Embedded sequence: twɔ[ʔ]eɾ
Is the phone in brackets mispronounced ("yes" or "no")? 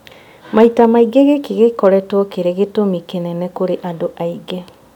yes